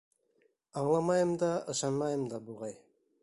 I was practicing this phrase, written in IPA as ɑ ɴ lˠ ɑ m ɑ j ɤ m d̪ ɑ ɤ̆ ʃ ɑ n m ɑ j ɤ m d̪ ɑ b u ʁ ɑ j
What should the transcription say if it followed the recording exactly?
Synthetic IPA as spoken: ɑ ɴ lˠ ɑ m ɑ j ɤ m d̪ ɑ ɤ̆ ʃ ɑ n m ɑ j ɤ m d̪ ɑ b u ʁ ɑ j